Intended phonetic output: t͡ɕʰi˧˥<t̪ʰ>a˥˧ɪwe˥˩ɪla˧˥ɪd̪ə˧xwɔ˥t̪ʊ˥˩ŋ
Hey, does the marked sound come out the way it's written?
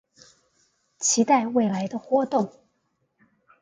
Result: no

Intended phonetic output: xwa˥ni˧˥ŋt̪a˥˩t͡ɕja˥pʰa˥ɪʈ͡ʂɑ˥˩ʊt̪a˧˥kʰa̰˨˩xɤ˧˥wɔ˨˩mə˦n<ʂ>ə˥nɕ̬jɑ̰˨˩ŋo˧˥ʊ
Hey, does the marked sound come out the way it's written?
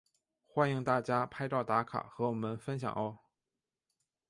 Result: no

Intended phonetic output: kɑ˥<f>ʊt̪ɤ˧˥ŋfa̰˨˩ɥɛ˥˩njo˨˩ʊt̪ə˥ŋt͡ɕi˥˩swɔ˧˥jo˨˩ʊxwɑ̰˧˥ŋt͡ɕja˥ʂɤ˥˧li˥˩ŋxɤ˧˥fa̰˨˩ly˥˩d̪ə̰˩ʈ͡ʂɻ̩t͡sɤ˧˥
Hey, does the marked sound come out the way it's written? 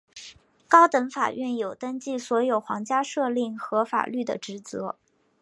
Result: no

